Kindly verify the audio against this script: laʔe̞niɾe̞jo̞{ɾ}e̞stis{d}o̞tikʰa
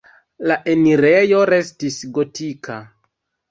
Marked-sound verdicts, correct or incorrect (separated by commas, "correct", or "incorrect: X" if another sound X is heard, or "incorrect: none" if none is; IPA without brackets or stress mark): correct, incorrect: ɡ